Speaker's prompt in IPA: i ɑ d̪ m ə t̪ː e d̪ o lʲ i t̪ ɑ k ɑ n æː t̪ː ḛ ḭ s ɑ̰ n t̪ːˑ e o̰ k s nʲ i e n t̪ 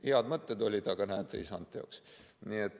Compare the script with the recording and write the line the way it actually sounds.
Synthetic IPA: i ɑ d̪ m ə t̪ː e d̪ o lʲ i t̪ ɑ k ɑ n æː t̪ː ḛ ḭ s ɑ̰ n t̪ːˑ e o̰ k s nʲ i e t̪